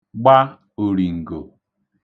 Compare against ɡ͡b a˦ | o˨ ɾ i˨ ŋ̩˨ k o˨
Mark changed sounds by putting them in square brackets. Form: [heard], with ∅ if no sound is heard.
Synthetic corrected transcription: ɡ͡b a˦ | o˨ ɾ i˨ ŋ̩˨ [ɡ] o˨